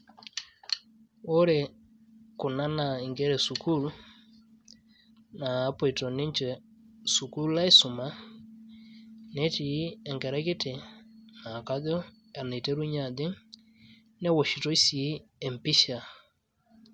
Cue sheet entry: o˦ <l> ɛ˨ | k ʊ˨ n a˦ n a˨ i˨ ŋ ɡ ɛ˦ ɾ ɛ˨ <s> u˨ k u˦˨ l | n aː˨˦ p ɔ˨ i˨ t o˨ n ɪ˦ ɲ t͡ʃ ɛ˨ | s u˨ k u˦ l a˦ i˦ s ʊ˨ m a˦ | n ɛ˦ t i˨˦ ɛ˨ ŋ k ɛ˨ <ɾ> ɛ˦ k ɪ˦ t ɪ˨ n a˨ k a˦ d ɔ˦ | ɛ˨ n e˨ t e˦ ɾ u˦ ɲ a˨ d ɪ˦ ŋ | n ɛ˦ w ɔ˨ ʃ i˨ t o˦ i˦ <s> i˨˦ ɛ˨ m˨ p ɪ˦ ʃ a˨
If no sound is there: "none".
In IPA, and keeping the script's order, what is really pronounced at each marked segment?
ɾ, s, ɾ, s

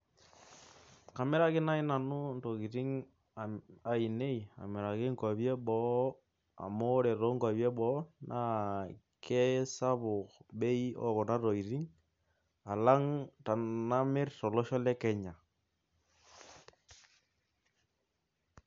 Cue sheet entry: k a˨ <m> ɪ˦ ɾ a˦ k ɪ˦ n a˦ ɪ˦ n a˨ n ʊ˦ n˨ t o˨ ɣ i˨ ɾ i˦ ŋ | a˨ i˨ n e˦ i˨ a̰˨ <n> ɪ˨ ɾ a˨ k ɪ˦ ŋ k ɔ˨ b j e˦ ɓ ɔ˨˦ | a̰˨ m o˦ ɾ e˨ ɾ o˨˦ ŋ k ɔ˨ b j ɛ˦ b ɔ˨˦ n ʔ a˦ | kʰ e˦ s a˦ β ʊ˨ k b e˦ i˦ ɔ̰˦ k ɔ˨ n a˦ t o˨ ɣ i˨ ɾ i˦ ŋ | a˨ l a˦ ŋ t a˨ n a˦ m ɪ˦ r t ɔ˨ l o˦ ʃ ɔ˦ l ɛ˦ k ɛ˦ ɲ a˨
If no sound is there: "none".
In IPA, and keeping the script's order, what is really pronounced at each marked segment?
m, m

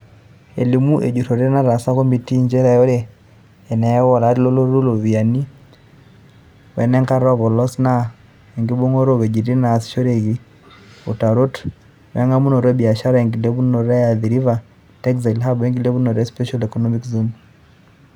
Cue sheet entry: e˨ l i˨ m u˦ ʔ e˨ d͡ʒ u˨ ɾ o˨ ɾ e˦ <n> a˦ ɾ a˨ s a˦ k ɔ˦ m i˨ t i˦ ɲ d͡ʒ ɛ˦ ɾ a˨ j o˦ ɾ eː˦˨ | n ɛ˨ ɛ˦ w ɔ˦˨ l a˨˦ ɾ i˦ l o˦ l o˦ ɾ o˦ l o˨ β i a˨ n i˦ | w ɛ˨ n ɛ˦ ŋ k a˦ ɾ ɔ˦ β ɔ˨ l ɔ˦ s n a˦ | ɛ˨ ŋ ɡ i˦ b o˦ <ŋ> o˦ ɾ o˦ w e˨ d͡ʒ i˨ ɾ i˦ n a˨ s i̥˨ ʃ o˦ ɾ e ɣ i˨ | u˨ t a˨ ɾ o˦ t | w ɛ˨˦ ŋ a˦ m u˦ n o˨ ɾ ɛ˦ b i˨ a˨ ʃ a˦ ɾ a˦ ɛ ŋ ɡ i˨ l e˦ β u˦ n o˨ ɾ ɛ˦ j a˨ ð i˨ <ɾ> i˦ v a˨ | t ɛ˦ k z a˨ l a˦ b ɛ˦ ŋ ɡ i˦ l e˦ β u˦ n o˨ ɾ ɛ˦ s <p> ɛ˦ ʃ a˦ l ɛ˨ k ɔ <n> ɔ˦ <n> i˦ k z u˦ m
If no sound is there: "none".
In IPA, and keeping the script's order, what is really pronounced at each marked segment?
n, ŋ, ɾ, p, n, m

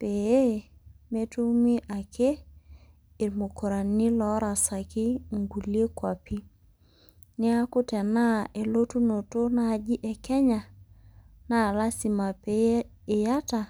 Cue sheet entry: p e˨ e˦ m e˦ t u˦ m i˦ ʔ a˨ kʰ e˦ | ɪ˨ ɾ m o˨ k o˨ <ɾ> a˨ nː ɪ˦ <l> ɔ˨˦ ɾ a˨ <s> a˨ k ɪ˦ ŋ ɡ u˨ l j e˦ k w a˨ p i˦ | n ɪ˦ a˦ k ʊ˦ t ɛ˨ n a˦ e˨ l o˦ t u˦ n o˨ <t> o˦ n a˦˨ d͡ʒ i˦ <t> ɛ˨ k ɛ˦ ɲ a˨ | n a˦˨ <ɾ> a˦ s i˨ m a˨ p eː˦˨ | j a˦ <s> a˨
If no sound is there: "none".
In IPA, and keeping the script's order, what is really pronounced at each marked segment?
ɾ, l, s, t, ʔ, l, t

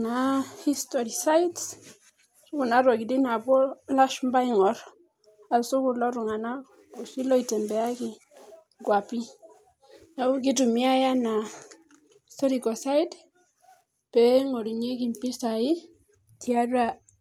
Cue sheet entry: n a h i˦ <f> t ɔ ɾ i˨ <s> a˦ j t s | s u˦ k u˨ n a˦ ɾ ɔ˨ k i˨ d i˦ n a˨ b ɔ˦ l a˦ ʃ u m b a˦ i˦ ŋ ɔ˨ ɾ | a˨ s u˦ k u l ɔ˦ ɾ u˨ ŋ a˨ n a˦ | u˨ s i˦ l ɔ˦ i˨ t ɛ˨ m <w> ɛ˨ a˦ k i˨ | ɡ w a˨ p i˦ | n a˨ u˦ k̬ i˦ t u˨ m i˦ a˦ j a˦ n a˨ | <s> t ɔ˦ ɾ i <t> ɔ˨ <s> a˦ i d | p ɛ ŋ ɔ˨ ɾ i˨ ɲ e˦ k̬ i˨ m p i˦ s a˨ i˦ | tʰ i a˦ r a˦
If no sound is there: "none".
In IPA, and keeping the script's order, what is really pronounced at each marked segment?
s, s, b, s, k, s

